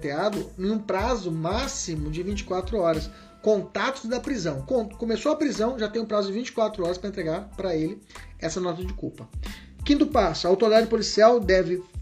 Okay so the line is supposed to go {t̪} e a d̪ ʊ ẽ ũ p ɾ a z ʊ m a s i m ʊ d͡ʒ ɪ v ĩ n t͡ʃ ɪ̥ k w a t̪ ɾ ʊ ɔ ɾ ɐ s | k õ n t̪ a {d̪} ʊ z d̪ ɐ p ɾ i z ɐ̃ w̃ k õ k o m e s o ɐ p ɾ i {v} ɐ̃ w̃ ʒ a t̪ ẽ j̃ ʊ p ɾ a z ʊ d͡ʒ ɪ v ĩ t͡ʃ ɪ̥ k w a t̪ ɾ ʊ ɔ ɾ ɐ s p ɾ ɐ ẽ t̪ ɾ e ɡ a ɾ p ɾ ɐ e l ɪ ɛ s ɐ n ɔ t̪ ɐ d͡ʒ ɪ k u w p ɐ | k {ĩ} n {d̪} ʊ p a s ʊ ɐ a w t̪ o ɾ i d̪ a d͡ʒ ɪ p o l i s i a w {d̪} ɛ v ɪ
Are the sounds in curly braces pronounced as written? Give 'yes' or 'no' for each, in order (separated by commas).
yes, no, no, yes, no, yes